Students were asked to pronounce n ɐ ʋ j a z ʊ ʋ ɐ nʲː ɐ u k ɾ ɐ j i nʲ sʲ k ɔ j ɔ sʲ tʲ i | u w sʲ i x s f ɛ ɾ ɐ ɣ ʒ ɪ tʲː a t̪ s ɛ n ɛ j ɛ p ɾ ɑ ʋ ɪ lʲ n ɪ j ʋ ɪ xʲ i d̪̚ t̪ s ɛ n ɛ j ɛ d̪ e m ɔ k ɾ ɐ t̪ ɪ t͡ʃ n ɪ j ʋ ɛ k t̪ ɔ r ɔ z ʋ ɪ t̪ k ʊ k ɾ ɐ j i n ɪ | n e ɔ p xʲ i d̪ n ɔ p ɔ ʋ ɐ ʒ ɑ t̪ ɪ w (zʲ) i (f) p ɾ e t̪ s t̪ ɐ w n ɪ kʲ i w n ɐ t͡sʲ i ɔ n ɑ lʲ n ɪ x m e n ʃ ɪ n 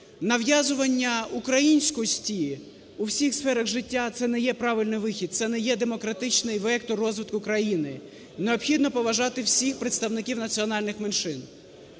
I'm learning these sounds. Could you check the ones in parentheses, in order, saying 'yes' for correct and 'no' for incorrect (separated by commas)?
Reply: no, no